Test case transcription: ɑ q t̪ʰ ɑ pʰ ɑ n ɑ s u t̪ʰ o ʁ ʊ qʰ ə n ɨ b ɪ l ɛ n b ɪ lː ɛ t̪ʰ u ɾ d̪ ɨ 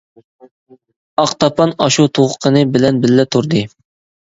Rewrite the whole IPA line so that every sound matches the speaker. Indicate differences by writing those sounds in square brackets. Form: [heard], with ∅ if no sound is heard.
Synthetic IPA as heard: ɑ q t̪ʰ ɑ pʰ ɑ n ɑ [ʃ] u t̪ʰ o ʁ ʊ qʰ ə n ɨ b ɪ l ɛ n b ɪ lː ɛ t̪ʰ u ɾ d̪ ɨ